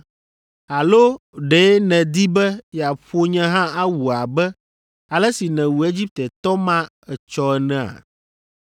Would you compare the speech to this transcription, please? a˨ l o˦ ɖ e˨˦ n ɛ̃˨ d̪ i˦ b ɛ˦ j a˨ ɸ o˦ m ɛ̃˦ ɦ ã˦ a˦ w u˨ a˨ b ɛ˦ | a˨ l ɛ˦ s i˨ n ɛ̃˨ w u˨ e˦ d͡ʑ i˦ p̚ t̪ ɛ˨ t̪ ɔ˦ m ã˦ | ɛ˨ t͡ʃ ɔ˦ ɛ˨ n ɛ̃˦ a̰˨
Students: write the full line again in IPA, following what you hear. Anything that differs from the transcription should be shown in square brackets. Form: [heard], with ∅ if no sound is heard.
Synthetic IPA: a˨ l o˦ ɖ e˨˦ n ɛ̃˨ d̪ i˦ b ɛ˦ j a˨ ɸ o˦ [ɲ] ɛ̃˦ ɦ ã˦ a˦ w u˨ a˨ b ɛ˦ | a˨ l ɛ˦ s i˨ n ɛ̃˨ w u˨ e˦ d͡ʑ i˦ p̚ t̪ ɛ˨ t̪ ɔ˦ m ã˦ | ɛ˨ t͡ʃ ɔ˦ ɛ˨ n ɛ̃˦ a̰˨